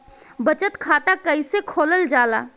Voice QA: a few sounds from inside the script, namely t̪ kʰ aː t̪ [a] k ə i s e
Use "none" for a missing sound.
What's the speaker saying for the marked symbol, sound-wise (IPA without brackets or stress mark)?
a